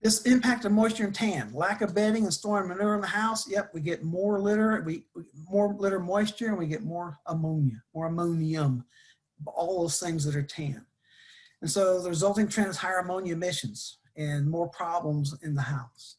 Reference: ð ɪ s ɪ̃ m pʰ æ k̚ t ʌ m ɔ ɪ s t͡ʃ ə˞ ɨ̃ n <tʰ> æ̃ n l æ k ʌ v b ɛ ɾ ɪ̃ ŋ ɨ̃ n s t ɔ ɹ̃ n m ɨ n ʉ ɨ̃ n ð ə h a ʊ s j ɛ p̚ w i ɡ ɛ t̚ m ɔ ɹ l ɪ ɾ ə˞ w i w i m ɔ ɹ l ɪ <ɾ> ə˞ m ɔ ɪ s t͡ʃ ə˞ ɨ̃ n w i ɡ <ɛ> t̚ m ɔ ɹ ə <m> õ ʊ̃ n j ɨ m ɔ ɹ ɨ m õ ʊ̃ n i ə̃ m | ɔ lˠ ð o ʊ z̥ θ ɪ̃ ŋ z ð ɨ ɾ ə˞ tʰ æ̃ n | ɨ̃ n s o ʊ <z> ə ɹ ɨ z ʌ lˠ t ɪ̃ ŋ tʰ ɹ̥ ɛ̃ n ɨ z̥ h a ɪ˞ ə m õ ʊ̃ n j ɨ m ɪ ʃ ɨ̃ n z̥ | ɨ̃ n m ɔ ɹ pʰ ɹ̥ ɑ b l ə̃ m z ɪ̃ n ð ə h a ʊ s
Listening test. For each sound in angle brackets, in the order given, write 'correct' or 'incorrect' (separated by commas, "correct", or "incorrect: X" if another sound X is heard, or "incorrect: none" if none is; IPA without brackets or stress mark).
correct, correct, correct, correct, incorrect: ð